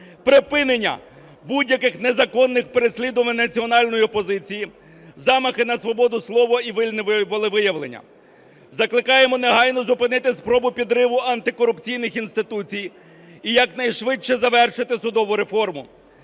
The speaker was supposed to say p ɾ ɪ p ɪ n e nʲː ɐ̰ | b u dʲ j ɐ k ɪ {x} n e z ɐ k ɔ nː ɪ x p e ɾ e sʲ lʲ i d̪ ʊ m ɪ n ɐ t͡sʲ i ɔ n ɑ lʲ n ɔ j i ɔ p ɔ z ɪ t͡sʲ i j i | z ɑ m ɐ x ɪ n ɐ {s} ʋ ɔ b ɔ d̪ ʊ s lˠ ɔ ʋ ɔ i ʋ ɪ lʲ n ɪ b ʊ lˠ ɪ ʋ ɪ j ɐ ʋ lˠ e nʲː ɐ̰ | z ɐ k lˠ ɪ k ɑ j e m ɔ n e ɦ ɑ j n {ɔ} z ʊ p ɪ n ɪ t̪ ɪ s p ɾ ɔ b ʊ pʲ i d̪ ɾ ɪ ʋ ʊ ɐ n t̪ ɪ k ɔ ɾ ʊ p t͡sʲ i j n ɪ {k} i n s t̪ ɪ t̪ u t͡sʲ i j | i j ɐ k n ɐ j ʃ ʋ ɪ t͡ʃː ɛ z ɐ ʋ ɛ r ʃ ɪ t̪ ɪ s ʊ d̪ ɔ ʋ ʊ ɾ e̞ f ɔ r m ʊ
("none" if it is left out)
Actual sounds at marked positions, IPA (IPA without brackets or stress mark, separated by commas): x, s, ɔ, x